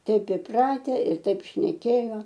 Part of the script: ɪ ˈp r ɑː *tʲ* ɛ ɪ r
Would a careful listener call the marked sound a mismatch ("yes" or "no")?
no